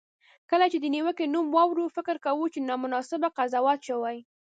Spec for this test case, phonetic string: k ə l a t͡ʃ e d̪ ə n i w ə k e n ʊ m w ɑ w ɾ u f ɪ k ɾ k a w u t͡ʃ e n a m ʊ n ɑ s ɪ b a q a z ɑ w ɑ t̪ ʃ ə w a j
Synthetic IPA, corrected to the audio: k ə l a t͡ʃ e d̪ ə n i w ə k e n u m w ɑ w ɾ u f ɪ k ɾ k a w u t͡ʃ e n ɑ m ʊ n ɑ s ɪ b a q a z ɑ w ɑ t̪ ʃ ə w a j